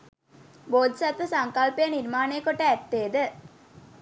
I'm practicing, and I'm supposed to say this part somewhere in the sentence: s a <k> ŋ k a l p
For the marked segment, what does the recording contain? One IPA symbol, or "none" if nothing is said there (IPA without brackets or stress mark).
none